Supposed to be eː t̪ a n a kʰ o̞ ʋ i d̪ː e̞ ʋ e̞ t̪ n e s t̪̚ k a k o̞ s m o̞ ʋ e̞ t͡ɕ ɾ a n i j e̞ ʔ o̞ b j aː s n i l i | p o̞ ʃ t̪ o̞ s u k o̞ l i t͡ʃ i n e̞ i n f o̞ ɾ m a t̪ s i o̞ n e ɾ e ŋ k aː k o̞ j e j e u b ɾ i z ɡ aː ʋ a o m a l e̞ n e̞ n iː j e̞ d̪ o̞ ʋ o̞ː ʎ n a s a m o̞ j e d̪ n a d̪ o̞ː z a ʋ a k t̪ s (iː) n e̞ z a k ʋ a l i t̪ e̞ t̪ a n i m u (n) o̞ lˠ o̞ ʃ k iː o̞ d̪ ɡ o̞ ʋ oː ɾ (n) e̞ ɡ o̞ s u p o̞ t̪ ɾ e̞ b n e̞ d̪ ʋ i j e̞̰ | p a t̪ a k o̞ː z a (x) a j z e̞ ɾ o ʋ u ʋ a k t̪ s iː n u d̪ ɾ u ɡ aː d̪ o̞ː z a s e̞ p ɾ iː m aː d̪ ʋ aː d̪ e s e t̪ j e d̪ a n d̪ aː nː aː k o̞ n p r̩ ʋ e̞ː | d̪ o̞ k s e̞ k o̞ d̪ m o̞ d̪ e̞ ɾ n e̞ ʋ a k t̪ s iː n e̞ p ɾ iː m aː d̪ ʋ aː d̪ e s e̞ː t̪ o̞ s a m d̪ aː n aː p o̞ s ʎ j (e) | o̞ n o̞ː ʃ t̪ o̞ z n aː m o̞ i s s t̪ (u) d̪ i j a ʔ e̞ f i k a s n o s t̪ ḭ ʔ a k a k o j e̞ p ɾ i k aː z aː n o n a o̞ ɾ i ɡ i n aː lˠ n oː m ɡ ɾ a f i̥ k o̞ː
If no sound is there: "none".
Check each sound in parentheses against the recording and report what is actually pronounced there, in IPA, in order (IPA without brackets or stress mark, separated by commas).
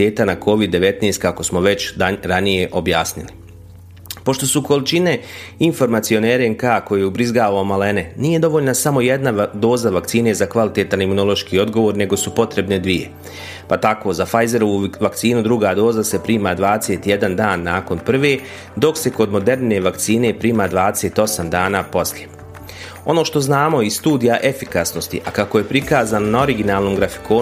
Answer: iː, n, n, f, e, uː